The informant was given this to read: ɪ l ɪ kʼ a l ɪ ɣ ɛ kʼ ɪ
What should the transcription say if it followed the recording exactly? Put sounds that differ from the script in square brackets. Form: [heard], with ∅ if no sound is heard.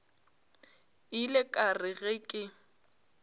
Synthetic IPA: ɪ l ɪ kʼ a [r] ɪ ɣ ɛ kʼ ɪ